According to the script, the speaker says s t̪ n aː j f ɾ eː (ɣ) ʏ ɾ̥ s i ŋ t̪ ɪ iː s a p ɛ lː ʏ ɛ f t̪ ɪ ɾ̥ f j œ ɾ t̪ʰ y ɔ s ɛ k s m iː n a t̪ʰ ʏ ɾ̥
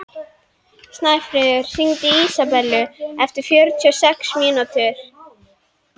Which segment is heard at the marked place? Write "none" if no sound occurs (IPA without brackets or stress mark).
ð